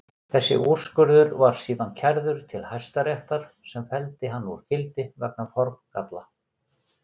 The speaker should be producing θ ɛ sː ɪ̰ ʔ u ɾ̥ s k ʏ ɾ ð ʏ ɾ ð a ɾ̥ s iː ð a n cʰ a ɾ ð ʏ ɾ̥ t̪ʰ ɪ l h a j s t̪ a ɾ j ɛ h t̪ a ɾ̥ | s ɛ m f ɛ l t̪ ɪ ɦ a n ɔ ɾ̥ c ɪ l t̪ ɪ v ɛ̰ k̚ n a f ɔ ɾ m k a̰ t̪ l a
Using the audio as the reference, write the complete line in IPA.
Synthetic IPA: θ ɛ sː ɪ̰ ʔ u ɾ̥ s k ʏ ɾ ð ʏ ɾ v a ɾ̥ s iː ð a n cʰ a ɾ ð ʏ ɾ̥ t̪ʰ ɪ l h a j s t̪ a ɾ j ɛ h t̪ a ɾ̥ | s ɛ m f ɛ l t̪ ɪ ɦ a nː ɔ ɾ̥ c ɪ l t̪ ɪ v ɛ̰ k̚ n a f ɔ ɾ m k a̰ t̪ l a